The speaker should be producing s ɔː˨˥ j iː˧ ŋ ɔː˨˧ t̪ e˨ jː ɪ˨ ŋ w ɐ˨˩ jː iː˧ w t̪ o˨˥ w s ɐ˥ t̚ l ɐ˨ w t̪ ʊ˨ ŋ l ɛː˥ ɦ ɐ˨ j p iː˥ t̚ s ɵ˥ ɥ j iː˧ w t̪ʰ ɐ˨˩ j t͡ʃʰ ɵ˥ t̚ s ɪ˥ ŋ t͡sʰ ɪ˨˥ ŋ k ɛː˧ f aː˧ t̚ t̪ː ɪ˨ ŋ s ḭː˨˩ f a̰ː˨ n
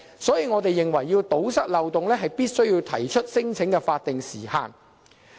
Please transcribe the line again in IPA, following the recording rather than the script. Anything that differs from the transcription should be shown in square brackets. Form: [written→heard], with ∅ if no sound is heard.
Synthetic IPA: s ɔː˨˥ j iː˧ ŋ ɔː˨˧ t̪ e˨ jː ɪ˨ ŋ w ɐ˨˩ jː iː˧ w t̪ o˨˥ w s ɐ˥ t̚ l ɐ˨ w t̪ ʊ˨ ŋ l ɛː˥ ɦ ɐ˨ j p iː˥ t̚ s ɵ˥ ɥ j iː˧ w t̪ʰ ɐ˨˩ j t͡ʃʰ ɵ˥ t̚ s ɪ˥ ŋ t͡sʰ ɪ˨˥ ŋ k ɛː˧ f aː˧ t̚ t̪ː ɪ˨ ŋ s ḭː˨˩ [f→h] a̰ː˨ n